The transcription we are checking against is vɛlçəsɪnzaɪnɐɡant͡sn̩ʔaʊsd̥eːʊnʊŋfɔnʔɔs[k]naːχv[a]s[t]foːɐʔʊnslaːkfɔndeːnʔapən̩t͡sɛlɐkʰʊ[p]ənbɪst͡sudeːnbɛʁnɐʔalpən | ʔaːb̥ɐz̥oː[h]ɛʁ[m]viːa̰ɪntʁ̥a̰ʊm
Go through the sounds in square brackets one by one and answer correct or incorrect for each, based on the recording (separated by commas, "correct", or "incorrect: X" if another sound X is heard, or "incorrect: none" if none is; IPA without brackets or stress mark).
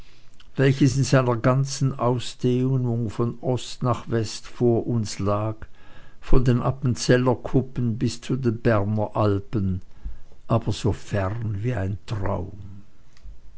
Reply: incorrect: t, incorrect: ɛ, correct, correct, incorrect: f, incorrect: n